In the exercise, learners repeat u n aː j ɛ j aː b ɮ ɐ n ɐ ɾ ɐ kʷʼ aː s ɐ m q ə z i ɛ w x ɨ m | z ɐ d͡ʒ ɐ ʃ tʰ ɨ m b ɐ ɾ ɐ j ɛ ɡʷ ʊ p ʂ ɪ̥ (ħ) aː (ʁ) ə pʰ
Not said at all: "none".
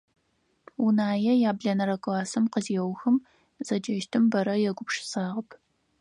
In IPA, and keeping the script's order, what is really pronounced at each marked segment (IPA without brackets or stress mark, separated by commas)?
s, ʁ